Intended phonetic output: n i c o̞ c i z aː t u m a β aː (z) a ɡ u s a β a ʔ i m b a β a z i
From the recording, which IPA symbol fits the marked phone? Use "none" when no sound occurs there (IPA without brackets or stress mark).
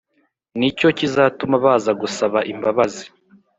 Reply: z